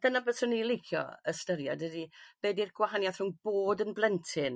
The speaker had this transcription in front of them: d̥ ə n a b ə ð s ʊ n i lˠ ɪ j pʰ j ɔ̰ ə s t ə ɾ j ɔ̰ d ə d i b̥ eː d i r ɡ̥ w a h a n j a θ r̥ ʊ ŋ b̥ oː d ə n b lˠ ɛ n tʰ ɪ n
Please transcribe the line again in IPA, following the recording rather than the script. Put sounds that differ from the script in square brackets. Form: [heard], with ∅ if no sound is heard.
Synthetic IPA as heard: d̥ ə n a b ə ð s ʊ n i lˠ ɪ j [kʰ] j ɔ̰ ə s t ə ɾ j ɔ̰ d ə d i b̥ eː d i r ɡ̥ w a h a n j a θ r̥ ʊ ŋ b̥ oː d ə n b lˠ ɛ n tʰ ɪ n